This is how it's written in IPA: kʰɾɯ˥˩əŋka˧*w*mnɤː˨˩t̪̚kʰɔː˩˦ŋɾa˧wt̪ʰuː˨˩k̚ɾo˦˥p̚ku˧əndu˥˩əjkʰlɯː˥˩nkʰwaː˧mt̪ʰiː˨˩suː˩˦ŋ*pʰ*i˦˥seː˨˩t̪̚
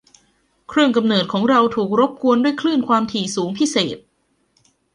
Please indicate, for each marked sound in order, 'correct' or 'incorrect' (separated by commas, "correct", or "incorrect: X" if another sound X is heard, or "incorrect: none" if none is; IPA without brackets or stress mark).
incorrect: none, correct